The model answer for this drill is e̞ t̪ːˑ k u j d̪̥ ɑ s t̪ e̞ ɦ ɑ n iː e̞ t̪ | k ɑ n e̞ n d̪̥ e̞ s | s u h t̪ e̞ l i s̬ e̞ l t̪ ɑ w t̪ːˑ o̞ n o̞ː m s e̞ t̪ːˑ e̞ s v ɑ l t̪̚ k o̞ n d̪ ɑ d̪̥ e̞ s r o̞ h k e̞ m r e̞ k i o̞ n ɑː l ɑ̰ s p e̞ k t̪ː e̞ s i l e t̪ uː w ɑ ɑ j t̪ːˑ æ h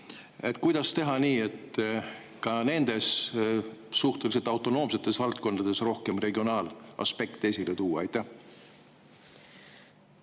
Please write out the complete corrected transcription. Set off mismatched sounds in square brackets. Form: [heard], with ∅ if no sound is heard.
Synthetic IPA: e̞ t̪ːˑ k u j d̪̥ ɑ s t̪ e̞ ɦ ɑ n iː e̞ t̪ | k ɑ n e̞ n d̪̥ e̞ s | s u h t̪ e̞ l i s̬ e̞ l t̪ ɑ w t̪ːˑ o̞ n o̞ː m s e̞ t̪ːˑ e̞ s v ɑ l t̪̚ k o̞ n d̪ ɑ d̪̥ e̞ s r o̞ h k e̞ m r e̞ [ɡ] i o̞ n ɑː l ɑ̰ s p e̞ k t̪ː e̞ s i l e t̪ uː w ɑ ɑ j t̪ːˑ æ h

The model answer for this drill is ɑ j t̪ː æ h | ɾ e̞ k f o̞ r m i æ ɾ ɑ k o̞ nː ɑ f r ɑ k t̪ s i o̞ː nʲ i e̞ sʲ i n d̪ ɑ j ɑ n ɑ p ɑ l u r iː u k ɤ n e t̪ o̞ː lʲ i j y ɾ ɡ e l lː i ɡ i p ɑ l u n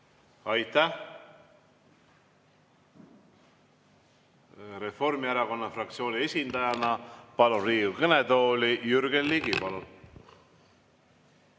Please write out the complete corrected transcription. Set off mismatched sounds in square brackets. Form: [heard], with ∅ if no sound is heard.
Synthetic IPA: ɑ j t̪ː æ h | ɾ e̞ [∅] f o̞ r m i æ ɾ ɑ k o̞ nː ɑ f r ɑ k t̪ s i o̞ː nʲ i e̞ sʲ i n d̪ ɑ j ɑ n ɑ p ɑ l u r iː u k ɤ n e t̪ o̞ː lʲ i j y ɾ ɡ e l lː i ɡ i p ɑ l u n

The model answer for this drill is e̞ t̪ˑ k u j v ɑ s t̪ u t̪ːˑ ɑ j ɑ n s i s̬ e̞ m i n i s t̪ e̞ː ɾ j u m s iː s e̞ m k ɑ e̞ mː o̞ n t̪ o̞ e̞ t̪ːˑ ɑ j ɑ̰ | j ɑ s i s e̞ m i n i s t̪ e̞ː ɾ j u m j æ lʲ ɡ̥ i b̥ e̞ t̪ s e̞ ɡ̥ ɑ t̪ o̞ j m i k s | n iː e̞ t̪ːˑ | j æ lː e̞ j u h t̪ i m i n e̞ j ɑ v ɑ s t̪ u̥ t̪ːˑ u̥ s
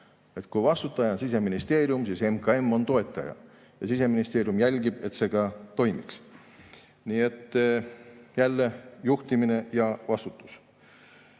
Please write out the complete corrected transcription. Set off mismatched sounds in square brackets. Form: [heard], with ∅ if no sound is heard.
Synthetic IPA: e̞ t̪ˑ k u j v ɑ s t̪ u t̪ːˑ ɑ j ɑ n s i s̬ e̞ m i n i s t̪ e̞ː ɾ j u m s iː s e̞ m k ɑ e̞ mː o̞ n t̪ o̞ e̞ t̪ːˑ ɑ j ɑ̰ | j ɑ s i s e̞ m i n i s t̪ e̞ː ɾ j u m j æ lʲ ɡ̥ i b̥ e̞ t̪ s e̞ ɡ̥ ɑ t̪ o̞ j m i k s | n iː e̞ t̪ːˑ | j æ lː e̞ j u h t̪ i m i n e̞ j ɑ v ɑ s t̪ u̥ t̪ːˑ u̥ s

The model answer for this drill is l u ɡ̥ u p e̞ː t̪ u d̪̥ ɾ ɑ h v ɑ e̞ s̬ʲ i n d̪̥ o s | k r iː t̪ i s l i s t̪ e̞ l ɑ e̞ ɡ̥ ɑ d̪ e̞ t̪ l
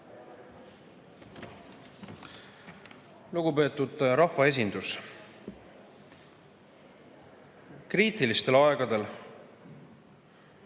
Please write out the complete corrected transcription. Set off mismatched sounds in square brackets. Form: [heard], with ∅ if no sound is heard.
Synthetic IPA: l u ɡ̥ u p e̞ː t̪ u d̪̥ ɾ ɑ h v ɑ e̞ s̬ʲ i n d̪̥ [u] s | k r iː t̪ i [∅] l i s t̪ e̞ l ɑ e̞ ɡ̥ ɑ d̪ e̞ [∅] l

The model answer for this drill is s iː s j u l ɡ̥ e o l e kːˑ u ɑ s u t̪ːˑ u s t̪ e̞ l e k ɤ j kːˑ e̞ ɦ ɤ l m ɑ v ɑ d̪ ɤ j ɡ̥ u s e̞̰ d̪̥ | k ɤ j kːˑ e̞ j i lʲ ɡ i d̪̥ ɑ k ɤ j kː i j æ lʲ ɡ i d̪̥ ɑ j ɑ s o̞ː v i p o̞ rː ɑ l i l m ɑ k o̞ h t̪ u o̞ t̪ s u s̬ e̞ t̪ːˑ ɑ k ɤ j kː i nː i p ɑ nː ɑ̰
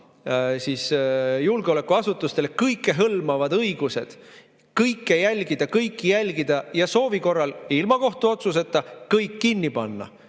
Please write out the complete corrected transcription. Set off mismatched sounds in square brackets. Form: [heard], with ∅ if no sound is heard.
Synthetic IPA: s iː s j u l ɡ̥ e o l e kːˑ u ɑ s u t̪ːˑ u s t̪ e̞ l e k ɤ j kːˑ e̞ ɦ ɤ l m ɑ v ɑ d̪ ɤ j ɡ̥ u s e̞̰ d̪̥ | k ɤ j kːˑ e̞ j [æ] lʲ ɡ i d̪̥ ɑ k ɤ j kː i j æ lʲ ɡ i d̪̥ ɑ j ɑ s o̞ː v i [k] o̞ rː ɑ l i l m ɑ k o̞ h t̪ u o̞ t̪ s u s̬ e̞ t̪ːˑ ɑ k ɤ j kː i nː i p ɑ nː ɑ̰

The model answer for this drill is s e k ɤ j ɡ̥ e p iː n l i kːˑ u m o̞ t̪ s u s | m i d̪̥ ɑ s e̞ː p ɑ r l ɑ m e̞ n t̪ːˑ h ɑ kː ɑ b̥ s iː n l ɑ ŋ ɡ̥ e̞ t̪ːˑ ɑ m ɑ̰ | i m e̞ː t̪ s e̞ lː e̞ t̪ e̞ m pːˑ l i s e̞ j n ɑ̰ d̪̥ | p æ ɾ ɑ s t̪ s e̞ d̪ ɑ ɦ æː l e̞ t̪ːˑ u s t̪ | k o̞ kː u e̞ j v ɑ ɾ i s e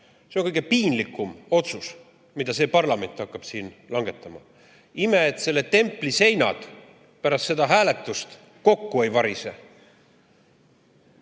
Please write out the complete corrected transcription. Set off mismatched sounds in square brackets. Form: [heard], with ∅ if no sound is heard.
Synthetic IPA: s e k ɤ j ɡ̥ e p iː n l i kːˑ u m o̞ t̪ s u s | m i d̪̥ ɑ s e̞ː p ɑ r l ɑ m e̞ n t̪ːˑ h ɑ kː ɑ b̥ s iː n l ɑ ŋ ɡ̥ e̞ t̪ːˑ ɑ m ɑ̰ | i m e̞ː t̪ s e̞ lː e̞ t̪ e̞ m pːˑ l i s e̞ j n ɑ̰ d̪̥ | p æ ɾ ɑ s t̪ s e̞ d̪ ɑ ɦ æː l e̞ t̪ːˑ u s t̪ | k o̞ kː u e̞ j v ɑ ɾ i s e

